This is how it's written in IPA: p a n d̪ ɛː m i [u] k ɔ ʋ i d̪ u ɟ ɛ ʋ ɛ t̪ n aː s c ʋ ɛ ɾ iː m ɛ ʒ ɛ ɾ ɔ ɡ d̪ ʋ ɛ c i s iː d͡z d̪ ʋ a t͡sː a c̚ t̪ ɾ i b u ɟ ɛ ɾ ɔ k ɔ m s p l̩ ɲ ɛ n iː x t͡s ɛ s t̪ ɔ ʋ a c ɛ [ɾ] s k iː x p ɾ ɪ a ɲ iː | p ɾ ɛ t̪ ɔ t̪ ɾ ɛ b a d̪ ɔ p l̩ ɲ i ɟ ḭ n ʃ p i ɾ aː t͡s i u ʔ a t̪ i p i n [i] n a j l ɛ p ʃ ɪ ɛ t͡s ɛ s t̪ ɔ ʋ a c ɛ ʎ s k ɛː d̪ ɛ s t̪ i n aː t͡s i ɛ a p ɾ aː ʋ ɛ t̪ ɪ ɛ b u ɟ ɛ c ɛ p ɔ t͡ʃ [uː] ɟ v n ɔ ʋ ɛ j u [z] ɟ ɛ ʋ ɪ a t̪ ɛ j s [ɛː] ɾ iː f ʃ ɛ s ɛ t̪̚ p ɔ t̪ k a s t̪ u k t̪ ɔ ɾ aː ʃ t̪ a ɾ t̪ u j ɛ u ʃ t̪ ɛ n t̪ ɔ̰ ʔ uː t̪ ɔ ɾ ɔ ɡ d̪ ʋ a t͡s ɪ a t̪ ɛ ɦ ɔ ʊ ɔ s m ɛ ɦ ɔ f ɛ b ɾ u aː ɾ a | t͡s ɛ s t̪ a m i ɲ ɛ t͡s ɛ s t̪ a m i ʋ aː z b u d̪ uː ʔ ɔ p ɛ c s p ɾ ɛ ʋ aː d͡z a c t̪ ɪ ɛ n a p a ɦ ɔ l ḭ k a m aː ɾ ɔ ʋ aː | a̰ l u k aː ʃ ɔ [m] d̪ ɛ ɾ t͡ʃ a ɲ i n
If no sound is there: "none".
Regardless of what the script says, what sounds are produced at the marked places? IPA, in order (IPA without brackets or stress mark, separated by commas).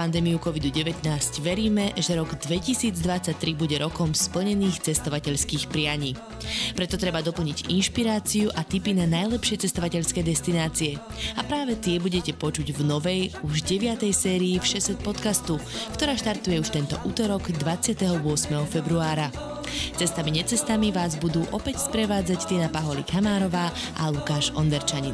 u, ʎ, a, u, ʒ, ɛː, n